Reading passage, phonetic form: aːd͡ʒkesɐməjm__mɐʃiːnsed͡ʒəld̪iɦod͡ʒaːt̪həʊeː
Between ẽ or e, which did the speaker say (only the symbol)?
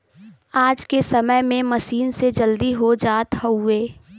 ẽ